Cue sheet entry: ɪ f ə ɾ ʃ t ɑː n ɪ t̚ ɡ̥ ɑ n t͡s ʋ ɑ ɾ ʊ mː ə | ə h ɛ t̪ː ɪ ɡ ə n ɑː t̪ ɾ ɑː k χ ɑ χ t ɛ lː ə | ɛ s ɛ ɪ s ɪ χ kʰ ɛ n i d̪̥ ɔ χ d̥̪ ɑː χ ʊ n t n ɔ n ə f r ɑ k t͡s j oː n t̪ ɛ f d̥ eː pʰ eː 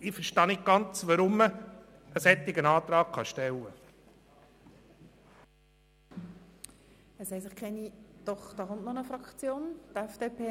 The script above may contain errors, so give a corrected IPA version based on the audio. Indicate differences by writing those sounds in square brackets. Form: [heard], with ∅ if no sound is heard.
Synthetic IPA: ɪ f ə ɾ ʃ t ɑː n ɪ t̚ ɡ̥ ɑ n t͡s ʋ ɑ ɾ ʊ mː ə | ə [s] ɛ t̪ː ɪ ɡ ə n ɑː t̪ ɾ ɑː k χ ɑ [ʃ] t ɛ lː ə | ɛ s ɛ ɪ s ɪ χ kʰ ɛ n i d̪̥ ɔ χ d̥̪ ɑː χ ʊ n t n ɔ n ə f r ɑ k t͡s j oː n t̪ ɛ f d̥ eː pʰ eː